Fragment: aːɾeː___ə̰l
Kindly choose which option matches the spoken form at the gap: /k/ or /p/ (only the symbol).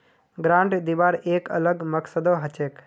k